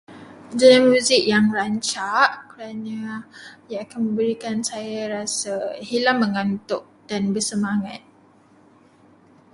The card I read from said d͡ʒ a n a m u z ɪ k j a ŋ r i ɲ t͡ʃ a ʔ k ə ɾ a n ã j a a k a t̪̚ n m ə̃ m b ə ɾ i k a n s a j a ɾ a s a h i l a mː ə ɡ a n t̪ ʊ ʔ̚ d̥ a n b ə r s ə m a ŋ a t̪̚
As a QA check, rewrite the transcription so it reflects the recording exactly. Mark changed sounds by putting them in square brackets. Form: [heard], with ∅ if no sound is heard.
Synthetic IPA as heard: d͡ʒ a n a m u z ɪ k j a ŋ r [a] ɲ t͡ʃ a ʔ k ə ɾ a n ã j a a k a [∅] n m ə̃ m b ə ɾ i k a n s a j a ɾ a s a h i l a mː ə [ŋ] a n t̪ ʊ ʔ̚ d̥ a n b ə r s ə m a ŋ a t̪̚